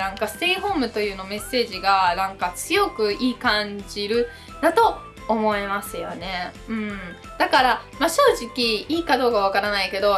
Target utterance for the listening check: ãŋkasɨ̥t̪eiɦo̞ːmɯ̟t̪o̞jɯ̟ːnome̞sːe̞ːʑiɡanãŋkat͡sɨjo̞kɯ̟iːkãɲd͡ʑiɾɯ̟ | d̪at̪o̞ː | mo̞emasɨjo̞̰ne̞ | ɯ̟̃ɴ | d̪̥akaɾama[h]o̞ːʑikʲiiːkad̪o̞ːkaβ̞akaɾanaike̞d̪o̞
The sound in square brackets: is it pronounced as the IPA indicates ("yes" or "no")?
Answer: no